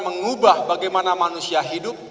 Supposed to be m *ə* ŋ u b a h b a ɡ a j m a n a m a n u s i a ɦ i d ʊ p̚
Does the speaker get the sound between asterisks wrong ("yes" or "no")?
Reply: no